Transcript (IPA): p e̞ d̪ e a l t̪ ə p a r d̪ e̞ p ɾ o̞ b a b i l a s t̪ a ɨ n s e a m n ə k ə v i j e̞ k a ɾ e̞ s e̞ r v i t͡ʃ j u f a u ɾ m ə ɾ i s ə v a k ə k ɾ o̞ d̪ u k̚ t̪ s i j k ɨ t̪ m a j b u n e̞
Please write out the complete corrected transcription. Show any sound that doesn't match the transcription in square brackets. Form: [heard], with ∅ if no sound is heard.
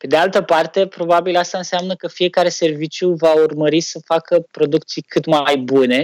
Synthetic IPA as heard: p e̞ d̪ e a l t̪ ə p a r [t̪] e̞ p ɾ o̞ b a b i l a s t̪ a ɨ n s e a m n ə k ə [f] i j e̞ k a ɾ e̞ s e̞ r v i t͡ʃ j u [v] a u [r] m ə ɾ i s ə [f] a k ə [p] ɾ o̞ d̪ u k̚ t̪ s i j k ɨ t̪ m a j b u n e̞